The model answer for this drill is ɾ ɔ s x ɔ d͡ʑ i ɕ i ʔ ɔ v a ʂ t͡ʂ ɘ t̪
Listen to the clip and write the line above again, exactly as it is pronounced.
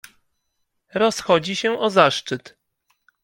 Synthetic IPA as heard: ɾ ɔ s x ɔ d͡ʑ i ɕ ɛ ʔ ɔ z a ʂ t͡ʂ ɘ t̪